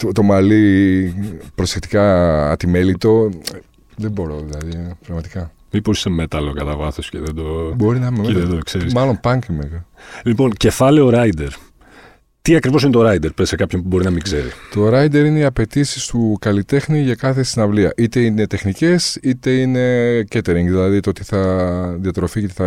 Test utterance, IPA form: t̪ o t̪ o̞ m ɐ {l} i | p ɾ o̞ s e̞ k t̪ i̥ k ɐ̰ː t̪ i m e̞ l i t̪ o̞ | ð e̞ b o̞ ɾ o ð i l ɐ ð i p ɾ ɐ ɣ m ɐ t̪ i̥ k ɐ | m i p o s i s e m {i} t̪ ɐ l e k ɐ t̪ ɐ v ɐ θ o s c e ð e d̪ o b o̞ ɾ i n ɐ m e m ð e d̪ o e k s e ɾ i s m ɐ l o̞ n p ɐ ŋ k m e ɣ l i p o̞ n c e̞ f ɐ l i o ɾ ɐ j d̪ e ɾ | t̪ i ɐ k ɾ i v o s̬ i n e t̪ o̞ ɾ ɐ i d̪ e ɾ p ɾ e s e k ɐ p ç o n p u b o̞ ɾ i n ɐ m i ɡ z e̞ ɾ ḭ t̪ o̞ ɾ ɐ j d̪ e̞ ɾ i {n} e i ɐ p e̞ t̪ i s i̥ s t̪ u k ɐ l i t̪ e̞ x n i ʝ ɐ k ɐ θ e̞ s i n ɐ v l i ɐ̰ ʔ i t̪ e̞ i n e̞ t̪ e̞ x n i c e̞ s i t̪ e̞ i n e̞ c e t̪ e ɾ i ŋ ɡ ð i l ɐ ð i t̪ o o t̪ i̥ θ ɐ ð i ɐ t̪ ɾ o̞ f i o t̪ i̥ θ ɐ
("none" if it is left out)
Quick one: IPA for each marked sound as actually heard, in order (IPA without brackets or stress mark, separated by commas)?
l, e, n